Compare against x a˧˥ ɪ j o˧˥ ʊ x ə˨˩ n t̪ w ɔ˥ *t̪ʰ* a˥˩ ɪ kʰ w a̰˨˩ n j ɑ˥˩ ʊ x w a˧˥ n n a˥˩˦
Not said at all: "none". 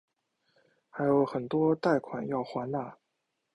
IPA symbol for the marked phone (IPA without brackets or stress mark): t̪